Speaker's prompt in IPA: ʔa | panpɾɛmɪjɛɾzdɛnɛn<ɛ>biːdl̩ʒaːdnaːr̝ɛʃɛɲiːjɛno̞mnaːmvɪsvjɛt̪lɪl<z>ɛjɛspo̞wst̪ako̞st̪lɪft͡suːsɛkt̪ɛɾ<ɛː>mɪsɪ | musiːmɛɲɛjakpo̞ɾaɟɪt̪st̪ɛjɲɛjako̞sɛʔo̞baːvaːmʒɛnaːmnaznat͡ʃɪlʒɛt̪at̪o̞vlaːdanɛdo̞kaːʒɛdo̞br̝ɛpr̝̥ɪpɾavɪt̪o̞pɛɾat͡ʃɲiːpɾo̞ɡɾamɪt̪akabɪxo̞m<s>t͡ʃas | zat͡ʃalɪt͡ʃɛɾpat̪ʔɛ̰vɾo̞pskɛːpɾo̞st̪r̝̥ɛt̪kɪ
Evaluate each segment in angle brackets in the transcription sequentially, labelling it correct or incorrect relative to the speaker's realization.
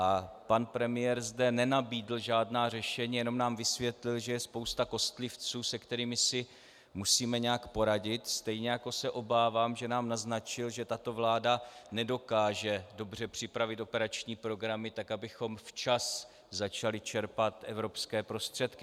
incorrect: a, incorrect: ʒ, incorrect: iː, incorrect: f

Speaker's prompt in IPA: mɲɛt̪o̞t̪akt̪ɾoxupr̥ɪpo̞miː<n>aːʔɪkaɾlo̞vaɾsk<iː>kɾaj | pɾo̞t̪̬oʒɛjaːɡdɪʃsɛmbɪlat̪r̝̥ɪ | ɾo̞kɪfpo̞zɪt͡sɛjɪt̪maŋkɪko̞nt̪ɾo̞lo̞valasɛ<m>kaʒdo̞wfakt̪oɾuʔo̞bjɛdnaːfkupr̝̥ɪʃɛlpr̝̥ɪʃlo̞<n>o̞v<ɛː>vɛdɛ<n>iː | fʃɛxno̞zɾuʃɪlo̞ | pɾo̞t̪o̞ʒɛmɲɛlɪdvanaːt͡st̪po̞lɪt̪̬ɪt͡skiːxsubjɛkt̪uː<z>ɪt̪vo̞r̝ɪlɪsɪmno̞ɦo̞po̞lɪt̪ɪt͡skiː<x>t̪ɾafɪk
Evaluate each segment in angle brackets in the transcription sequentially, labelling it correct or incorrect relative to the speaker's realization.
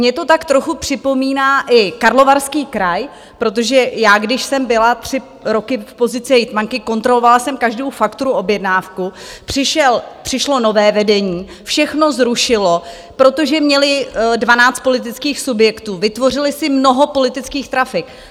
correct, correct, correct, correct, correct, incorrect: ɲ, incorrect: v, correct

